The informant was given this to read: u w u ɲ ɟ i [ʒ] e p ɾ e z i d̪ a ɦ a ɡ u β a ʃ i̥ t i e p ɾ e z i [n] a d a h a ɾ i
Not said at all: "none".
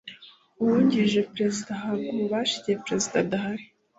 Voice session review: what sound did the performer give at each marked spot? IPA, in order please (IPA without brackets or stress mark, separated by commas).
ʒ, d